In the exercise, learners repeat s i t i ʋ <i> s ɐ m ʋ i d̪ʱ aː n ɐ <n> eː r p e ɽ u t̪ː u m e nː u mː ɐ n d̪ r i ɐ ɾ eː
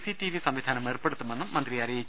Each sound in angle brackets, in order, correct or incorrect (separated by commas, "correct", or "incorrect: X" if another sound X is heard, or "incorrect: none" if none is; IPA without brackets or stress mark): correct, incorrect: m